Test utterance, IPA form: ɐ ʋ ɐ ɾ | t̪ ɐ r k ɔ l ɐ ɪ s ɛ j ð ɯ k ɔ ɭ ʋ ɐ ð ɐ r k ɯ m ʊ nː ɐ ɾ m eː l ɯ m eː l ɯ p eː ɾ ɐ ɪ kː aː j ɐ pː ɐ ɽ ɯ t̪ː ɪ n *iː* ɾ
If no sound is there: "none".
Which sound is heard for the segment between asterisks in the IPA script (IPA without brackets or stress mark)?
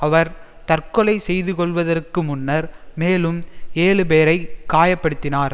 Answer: aː